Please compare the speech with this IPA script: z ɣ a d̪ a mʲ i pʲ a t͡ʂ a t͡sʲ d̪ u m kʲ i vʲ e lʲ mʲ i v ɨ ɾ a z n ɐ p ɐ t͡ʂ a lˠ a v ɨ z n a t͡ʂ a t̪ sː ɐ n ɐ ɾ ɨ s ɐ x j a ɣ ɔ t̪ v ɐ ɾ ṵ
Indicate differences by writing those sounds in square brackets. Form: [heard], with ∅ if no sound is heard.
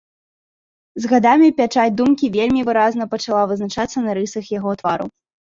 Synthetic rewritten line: z ɣ a d̪ a mʲ i pʲ a t͡ʂ a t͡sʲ d̪ u m kʲ i vʲ e lʲ mʲ i v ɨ ɾ a z n ɐ p ɐ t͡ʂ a lˠ a v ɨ z n a t͡ʂ a t̪ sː ɐ n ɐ ɾ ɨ s ɐ x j a ɣ ɔ t̪ v [a] ɾ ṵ